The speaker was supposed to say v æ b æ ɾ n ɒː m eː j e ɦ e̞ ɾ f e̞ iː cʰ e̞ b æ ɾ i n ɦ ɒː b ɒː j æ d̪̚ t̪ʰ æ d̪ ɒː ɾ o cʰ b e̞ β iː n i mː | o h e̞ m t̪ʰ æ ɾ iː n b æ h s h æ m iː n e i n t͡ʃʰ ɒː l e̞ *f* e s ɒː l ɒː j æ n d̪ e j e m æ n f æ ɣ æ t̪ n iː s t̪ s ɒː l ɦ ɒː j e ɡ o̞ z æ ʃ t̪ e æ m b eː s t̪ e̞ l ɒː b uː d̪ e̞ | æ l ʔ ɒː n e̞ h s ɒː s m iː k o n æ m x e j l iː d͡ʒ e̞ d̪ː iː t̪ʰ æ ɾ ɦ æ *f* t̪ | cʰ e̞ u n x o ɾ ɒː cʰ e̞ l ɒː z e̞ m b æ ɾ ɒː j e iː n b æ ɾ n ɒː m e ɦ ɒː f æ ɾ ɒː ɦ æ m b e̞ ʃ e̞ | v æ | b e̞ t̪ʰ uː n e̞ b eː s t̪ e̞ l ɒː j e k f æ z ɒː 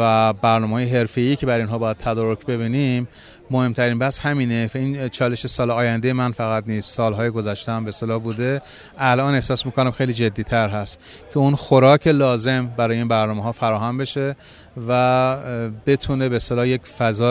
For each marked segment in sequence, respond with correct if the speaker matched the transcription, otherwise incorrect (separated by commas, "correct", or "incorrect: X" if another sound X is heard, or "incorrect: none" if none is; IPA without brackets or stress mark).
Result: incorrect: ʃ, incorrect: s